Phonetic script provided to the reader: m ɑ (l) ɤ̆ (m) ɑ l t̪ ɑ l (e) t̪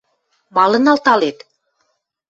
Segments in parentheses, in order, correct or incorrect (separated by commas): correct, incorrect, correct